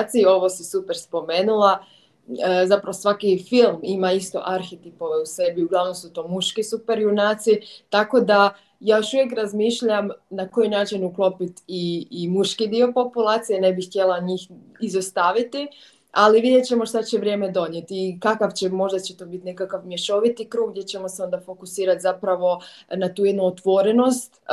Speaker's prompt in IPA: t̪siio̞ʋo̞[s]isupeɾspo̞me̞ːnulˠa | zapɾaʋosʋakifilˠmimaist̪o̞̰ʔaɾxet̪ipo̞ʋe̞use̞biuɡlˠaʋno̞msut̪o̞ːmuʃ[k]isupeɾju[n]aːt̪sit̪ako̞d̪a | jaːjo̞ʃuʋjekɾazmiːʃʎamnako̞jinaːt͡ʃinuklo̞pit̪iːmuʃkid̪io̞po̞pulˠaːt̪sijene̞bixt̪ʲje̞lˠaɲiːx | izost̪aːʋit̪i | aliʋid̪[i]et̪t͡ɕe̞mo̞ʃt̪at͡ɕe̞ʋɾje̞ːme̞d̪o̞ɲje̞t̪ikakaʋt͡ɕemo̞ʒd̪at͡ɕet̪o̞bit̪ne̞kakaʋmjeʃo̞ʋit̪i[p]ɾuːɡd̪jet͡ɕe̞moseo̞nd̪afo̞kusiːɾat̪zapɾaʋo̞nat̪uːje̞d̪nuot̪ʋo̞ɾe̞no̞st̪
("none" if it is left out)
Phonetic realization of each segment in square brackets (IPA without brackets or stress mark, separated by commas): s, k, n, j, k